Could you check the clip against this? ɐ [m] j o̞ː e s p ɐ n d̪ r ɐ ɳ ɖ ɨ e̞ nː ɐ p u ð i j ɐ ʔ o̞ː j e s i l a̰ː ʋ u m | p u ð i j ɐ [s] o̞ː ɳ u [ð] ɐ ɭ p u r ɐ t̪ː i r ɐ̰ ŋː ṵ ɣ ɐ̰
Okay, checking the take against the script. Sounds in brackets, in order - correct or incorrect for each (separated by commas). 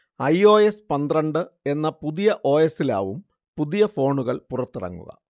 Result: incorrect, incorrect, incorrect